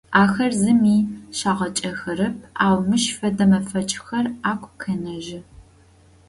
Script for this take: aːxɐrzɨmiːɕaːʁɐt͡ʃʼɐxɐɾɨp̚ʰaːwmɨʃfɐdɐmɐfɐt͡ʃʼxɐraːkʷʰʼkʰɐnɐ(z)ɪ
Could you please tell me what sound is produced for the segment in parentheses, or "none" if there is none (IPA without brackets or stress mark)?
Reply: ʒ